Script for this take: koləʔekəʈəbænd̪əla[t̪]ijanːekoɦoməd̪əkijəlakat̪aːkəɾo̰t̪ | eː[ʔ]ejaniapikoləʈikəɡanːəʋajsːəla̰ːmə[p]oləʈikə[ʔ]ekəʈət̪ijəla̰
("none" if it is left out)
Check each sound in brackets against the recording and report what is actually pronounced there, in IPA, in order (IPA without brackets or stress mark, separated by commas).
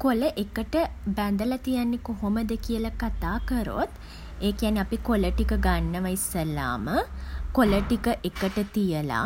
t̪, k, k, ʔ